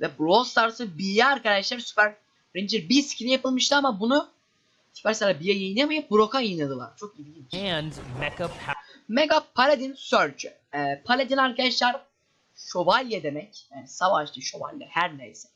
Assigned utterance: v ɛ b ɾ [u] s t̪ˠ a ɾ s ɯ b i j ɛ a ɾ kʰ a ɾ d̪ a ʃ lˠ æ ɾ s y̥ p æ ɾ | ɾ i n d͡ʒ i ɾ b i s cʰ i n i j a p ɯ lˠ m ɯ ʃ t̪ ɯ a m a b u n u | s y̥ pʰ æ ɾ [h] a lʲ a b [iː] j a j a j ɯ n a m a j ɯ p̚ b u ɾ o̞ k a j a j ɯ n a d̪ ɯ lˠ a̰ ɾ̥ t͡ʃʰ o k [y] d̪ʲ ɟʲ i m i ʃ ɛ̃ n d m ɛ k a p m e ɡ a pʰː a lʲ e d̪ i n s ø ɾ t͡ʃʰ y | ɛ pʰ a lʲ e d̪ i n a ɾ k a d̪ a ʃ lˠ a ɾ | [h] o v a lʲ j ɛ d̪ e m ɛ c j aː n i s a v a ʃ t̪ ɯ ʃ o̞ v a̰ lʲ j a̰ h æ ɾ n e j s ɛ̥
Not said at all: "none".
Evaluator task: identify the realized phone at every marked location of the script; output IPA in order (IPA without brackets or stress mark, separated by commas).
o, s, i, i, ʃ